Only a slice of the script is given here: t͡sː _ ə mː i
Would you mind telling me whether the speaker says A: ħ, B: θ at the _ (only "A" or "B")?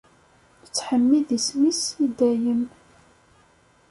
A